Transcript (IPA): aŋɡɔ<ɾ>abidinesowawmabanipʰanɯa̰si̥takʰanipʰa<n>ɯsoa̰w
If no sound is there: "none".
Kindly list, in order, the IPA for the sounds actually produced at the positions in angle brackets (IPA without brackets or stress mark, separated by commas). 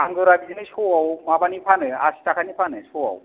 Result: ɾ, n